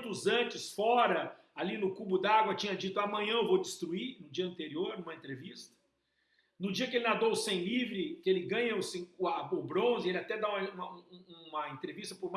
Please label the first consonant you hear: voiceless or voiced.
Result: voiceless